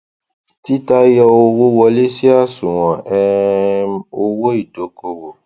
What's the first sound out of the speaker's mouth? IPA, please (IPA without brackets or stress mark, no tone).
t